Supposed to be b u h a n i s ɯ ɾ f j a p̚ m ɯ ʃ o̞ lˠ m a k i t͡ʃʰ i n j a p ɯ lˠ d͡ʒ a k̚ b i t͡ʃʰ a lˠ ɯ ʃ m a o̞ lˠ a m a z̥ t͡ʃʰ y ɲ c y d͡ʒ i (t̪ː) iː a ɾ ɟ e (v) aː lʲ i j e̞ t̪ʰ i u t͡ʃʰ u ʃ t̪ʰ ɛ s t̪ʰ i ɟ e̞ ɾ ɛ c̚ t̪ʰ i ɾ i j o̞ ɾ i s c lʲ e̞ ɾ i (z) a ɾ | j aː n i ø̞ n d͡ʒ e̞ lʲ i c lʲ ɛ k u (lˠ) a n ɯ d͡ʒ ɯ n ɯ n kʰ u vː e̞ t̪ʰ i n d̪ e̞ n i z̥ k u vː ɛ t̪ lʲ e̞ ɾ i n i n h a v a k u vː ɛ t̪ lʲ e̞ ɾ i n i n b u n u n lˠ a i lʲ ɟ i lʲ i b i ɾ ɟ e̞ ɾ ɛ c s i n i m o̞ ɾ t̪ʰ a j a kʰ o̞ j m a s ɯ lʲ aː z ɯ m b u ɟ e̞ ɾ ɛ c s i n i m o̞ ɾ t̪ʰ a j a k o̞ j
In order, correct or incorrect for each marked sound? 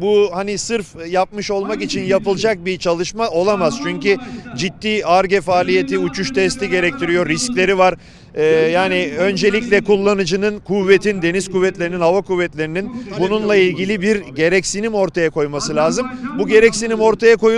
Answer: correct, incorrect: f, incorrect: v, incorrect: lˠː

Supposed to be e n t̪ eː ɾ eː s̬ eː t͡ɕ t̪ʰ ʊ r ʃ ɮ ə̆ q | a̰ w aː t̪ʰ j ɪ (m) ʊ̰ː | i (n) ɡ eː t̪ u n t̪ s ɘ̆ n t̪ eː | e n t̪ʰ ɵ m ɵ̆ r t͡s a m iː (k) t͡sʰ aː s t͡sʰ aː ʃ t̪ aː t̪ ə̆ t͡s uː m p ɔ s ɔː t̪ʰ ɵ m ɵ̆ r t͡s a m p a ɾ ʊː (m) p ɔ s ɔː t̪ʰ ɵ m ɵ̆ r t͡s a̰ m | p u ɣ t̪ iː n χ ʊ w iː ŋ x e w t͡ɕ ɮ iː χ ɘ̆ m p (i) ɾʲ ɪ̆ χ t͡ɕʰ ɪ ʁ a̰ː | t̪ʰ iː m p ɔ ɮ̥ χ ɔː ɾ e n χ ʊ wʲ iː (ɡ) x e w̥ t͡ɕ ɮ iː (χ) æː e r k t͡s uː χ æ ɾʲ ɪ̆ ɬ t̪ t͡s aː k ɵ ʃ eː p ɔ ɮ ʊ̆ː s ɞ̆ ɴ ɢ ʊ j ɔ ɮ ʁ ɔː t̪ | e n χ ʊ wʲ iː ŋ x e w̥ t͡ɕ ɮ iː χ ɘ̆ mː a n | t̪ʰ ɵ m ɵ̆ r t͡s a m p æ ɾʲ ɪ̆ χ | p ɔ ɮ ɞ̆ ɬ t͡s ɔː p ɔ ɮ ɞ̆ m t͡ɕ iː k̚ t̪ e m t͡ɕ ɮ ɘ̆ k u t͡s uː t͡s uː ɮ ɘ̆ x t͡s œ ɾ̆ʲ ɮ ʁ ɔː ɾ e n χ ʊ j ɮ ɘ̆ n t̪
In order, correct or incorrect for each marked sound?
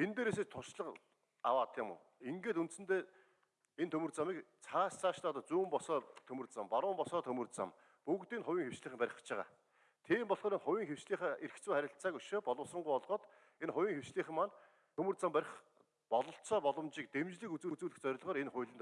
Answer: correct, incorrect: ŋ, correct, correct, incorrect: æ, incorrect: ŋ, correct

